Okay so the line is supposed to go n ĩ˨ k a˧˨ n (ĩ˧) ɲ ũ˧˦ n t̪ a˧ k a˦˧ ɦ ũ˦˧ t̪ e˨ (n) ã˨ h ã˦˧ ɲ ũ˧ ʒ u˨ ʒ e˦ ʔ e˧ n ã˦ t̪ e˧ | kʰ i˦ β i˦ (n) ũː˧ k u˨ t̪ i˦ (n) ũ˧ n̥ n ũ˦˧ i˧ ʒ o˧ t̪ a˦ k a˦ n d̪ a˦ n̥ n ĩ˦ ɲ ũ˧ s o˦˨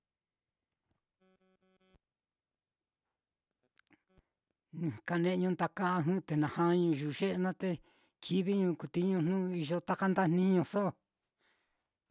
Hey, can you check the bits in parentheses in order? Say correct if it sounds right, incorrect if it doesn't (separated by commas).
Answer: incorrect, correct, incorrect, incorrect